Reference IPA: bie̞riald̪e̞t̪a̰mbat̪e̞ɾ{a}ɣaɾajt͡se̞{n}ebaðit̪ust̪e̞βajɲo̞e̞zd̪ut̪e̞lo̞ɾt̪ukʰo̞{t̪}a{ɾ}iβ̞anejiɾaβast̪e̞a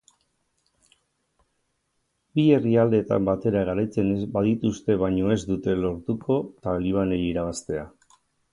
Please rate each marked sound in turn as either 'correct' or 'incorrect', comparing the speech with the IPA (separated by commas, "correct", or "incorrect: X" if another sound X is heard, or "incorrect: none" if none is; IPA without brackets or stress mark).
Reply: correct, correct, correct, incorrect: l